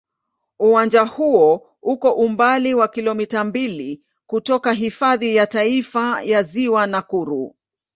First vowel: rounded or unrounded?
rounded